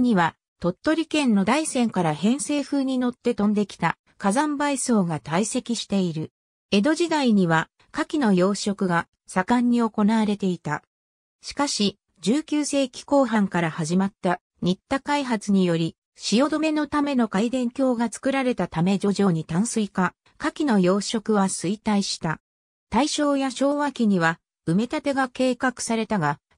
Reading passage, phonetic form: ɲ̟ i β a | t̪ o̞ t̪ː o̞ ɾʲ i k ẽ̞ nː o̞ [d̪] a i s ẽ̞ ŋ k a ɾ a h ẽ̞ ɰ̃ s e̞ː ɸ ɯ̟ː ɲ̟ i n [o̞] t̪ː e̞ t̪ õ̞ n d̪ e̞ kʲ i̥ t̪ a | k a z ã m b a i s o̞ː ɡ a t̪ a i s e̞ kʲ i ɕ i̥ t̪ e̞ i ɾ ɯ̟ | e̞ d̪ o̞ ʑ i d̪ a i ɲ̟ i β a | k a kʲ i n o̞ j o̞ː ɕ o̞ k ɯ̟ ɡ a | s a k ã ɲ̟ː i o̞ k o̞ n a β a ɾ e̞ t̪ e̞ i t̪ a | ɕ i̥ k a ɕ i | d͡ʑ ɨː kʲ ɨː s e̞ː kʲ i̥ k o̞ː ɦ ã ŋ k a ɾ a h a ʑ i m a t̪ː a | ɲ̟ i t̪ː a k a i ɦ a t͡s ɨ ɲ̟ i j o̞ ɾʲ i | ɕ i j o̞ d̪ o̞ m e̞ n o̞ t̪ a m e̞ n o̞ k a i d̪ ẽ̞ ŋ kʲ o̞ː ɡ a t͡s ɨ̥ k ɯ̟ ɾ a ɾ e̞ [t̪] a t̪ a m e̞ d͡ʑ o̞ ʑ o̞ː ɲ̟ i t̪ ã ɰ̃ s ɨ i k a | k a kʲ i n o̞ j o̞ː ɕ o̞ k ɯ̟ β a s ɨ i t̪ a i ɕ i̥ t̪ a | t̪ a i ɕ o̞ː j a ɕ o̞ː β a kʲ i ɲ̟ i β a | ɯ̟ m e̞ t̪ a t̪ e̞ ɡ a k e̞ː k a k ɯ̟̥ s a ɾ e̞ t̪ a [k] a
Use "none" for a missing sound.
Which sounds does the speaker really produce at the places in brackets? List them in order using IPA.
d̪, o̞, t̪, ɡ

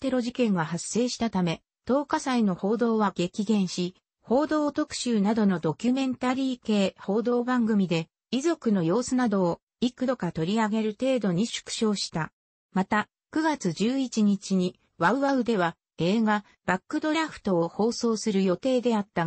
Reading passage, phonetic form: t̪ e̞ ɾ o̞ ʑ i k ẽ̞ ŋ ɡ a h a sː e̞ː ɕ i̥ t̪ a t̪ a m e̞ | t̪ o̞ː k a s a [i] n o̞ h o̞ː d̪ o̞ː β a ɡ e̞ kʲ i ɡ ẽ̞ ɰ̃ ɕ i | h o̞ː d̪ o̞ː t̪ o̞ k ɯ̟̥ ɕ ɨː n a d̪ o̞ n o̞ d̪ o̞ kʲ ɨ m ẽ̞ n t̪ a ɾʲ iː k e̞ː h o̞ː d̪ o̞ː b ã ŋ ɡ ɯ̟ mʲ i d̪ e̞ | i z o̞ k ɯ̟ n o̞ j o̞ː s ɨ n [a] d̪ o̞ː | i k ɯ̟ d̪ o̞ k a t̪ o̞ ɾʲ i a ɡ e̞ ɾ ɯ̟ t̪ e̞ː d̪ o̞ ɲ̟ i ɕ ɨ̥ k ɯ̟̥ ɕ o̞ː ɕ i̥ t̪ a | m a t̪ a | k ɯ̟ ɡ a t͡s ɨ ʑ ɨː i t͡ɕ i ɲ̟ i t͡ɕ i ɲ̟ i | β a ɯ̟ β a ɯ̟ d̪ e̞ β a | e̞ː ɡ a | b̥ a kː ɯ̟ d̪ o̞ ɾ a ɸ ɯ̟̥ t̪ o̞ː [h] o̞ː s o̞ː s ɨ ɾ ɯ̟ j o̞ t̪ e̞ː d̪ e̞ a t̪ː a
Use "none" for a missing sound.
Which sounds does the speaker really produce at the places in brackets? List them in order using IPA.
i, a, h

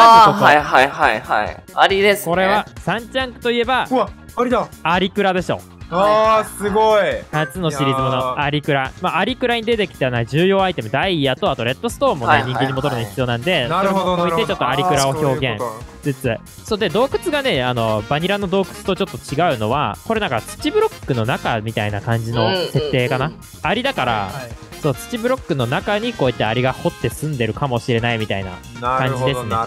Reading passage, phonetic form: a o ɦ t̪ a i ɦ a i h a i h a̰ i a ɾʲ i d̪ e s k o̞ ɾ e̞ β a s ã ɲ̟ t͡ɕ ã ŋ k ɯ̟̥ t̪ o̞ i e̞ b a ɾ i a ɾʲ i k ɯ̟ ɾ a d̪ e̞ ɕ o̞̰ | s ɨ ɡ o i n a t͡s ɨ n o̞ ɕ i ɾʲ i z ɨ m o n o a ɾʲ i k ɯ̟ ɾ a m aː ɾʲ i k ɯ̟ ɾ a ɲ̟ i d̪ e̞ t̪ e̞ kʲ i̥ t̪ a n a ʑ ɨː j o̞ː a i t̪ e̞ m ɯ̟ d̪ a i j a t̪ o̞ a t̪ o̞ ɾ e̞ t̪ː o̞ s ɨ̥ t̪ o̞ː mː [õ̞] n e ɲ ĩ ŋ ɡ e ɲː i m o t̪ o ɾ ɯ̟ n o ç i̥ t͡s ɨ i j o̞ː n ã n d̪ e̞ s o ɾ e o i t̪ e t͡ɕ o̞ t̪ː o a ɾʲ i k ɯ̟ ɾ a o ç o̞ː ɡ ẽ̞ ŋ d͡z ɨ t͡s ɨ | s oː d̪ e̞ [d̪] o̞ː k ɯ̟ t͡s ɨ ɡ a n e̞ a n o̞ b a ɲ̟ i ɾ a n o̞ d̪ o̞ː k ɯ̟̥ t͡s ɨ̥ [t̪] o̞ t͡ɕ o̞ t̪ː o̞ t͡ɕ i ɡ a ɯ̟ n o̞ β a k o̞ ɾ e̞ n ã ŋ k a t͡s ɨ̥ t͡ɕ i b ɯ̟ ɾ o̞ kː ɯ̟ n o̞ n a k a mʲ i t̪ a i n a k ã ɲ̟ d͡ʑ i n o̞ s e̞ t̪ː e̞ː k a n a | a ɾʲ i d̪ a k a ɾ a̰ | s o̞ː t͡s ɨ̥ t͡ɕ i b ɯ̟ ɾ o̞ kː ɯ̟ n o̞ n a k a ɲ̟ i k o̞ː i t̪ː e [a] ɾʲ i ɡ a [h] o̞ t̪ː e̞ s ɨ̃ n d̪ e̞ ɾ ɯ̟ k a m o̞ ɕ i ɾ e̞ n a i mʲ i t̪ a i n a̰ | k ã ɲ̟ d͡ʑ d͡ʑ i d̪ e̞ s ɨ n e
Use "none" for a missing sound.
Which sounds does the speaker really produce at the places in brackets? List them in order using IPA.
o̞, d̪, t̪, a, h

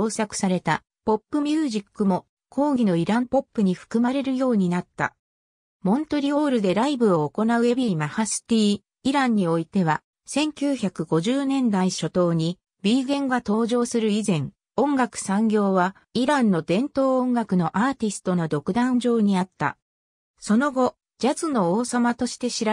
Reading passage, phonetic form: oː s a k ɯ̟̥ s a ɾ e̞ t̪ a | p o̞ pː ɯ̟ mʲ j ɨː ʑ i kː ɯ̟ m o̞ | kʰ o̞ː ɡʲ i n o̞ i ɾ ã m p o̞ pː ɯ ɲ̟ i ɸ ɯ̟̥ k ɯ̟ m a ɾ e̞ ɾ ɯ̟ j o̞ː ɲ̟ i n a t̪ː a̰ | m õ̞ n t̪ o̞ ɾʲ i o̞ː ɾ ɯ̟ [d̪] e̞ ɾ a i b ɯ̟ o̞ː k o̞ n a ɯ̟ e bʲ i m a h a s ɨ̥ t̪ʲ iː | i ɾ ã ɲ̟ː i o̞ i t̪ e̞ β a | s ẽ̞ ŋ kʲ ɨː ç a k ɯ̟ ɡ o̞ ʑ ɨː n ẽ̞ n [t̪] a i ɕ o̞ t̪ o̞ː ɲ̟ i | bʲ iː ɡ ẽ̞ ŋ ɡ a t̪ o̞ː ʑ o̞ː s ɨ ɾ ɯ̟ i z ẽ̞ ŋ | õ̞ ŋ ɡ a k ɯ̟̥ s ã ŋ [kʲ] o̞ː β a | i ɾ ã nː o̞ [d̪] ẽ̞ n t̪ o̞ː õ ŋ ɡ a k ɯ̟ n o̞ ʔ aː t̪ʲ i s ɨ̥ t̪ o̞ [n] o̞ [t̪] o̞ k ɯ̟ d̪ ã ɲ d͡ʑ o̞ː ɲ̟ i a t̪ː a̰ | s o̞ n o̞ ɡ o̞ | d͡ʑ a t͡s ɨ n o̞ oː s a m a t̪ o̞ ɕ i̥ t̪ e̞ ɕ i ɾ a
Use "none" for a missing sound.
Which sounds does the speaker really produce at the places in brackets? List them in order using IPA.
d̪, d̪, ɡʲ, d̪, n, d̪

